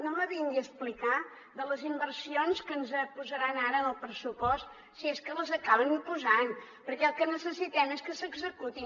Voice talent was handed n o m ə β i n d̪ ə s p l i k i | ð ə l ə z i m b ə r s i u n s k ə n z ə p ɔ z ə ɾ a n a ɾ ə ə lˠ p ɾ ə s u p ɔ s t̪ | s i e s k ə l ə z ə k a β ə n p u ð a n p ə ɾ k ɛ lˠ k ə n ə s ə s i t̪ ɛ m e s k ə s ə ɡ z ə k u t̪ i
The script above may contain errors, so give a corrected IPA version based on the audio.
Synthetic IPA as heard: n o m ə β i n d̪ ə s p l i k a | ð ə l ə z i m b ə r s i o n s k ə n z ə p u z ə ɾ a n a ɾ ə ə lˠ p ɾ ə s u p ɔ s t̪ | s i e s k ə l ə z ə k a β ə n p u z a n p ə ɾ k ɛ lˠ k ə n ə s ə s i t̪ ɛ m e s k ə s ə ɡ z ə k u t̪ i